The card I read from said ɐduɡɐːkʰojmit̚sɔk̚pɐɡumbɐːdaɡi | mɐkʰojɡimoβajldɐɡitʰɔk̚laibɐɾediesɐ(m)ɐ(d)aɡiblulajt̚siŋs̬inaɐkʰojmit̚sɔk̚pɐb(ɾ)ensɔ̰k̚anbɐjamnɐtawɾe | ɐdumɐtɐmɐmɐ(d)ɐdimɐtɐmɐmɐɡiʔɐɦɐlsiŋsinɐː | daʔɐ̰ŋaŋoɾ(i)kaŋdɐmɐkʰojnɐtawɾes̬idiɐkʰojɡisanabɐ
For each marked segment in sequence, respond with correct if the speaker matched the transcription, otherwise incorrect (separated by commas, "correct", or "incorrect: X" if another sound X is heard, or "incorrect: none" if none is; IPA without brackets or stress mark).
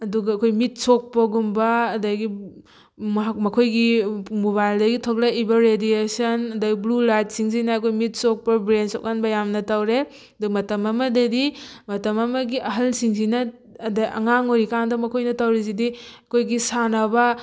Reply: incorrect: n, correct, correct, correct, correct